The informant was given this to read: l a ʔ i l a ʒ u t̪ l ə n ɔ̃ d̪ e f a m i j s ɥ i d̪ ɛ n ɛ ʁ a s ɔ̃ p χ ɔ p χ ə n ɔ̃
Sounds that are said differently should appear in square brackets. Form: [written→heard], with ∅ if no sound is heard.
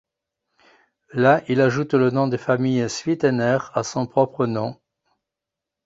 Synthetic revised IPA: l a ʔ i l a ʒ u t̪ l ə n ɔ̃ d̪ e f a m i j s ɥ i [d̪→t̪] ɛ n ɛ ʁ a s ɔ̃ p χ ɔ p χ ə n ɔ̃

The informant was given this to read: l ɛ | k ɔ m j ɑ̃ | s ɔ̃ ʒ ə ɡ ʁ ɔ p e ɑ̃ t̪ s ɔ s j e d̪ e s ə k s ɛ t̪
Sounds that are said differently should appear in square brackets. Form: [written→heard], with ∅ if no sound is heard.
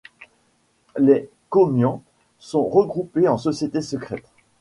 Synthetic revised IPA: l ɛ | k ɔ m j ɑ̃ | s ɔ̃ [ʒ→ʁ] ə ɡ ʁ [ɔ→u] p e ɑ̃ [t̪→∅] s ɔ s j e [d̪→t̪] e s ə k [s→χ] ɛ t̪

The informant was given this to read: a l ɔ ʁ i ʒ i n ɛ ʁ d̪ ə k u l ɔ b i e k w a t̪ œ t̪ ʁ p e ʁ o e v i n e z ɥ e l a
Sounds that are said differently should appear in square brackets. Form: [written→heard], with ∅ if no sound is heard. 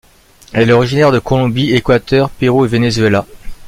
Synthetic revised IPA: [a→ɛ] l ɔ ʁ i ʒ i n ɛ ʁ d̪ ə k [u→ɔ] l [ɔ→ɔ̃] b i e k w a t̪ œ [t̪→∅] ʁ p e ʁ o e v [i→e] n e z ɥ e l a

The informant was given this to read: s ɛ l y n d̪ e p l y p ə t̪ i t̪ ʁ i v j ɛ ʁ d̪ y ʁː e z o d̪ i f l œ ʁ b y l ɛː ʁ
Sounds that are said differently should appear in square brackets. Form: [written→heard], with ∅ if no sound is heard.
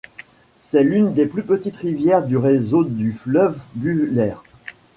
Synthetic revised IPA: s ɛ l y n d̪ e p l y p ə t̪ i t̪ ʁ i v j ɛ ʁ d̪ y [ʁː→ʁ] e z o d̪ [i→y] f l œ [ʁ→v] b y l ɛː ʁ

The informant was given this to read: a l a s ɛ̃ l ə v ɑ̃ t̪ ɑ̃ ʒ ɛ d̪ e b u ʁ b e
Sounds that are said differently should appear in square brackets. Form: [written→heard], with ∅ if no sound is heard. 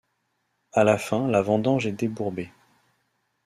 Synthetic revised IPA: a l a [s→f] ɛ̃ l [ə→a] v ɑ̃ [t̪→d̪] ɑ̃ ʒ ɛ d̪ e b u ʁ b e

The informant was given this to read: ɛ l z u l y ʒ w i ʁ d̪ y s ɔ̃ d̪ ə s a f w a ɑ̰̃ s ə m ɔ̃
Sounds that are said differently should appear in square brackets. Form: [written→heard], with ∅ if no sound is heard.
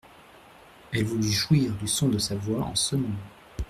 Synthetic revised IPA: ɛ l [z→v] u l y ʒ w i ʁ d̪ y s ɔ̃ d̪ ə s a [f→v] w a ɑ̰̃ s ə m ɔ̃

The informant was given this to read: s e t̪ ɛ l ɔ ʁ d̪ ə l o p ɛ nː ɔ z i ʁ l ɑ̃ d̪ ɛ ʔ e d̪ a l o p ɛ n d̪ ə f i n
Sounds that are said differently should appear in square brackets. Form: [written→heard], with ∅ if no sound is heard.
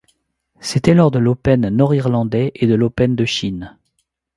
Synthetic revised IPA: s e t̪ ɛ l ɔ ʁ d̪ ə l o p ɛ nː ɔ [z→ʁ] i ʁ l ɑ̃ d̪ ɛ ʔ e d̪ [a→ə] l o p ɛ n d̪ ə [f→ʃ] i n

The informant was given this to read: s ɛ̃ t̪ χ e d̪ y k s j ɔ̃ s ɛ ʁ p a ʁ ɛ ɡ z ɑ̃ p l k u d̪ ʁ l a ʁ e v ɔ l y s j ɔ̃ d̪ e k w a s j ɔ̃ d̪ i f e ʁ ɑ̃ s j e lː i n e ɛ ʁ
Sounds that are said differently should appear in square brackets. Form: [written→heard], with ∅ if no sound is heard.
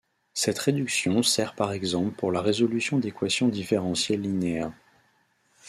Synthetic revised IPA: s [ɛ̃→ɛ] t̪ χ e d̪ y k s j ɔ̃ s ɛ ʁ p a ʁ ɛ ɡ z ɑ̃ p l [k→p] u [d̪→∅] ʁ l a ʁ e [v→z] ɔ l y s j ɔ̃ d̪ e k w a s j ɔ̃ d̪ i f e ʁ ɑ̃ s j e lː i n e ɛ ʁ

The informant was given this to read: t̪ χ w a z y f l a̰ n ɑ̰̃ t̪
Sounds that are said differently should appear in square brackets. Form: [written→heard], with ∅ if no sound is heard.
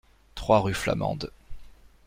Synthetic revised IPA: t̪ χ w a [z→ʁ] y f l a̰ [n→m] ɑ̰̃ [t̪→d̪]

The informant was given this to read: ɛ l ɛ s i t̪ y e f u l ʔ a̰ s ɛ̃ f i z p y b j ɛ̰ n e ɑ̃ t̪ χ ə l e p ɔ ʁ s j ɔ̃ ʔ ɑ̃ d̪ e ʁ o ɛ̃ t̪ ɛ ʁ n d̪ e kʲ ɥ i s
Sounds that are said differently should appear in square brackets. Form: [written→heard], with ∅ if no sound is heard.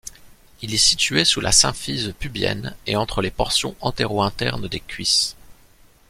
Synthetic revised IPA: [ɛ→i] l ɛ s i t̪ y e [f→s] u l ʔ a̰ s ɛ̃ f i z p y b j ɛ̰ n e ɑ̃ t̪ χ ə l e p ɔ ʁ s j ɔ̃ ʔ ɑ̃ [d̪→t̪] e ʁ o ɛ̃ t̪ ɛ ʁ n d̪ e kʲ ɥ i s

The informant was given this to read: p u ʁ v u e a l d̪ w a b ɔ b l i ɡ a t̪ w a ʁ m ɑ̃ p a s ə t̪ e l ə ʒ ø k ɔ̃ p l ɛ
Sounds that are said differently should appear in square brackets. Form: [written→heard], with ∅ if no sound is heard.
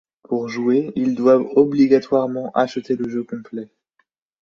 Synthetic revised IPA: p u ʁ [v→ʒ] u e [a→i] l d̪ w a [b→v] ɔ b l i ɡ a t̪ w a ʁ m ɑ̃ [p→ʔ] a [s→ʃ] ə t̪ e l ə ʒ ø k ɔ̃ p l ɛ

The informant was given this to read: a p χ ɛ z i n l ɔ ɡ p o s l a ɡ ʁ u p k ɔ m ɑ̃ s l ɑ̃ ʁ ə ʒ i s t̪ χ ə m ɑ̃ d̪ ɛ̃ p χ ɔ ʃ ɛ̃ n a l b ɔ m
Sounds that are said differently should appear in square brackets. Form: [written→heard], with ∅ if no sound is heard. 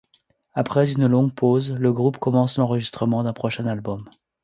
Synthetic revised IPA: a p χ ɛ z [i→y] n l [ɔ→ɔ̃] ɡ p o [s→z] l [a→ə] ɡ ʁ u p k ɔ m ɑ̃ s l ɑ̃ ʁ ə ʒ i s t̪ χ ə m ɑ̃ d̪ ɛ̃ p χ ɔ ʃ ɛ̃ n a l b ɔ m

